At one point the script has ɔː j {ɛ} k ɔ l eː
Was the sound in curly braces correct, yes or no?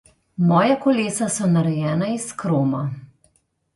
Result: no